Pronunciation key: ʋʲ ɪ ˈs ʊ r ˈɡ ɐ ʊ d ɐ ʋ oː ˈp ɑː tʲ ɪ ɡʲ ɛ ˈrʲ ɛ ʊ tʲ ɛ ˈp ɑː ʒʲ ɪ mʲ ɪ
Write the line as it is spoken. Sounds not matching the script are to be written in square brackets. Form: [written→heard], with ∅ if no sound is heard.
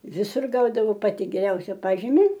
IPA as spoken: ʋʲ ɪ ˈs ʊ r ˈɡ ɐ ʊ d ɐ ʋ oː ˈp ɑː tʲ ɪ ɡʲ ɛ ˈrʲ ɛ ʊ [tʲ→sʲ] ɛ ˈp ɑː ʒʲ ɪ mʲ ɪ